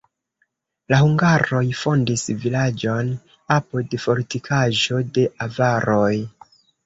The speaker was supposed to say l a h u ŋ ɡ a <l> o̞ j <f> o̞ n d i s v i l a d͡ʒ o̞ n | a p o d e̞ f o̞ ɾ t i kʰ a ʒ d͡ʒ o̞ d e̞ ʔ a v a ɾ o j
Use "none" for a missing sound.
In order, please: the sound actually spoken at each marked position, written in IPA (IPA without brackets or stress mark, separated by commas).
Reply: ɾ, f